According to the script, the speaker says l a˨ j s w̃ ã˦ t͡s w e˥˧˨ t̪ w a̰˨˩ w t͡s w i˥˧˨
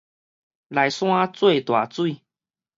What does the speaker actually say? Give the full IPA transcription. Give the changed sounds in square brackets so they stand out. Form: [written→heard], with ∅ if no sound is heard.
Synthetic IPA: l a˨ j s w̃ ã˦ t͡s w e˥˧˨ t̪ w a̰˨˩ [w→∅] t͡s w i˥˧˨